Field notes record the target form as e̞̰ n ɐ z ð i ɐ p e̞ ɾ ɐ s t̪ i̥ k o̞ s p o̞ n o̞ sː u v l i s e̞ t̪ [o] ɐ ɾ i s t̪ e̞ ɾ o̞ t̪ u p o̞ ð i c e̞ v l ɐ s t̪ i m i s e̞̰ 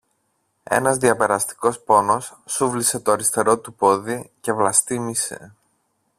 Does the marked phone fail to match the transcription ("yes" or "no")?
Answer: no